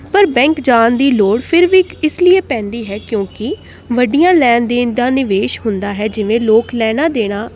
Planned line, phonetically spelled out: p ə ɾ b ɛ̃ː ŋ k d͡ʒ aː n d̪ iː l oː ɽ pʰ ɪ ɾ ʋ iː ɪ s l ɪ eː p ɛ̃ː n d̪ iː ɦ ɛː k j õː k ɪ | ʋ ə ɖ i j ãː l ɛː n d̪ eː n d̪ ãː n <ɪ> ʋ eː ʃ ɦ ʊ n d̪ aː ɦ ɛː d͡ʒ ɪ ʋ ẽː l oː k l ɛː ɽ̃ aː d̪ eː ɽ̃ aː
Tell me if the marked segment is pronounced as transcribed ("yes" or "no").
yes